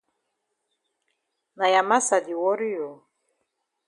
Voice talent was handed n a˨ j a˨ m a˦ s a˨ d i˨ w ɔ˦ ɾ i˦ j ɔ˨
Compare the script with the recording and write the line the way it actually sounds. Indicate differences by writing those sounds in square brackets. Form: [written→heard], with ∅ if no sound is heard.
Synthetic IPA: n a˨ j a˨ m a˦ s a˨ d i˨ w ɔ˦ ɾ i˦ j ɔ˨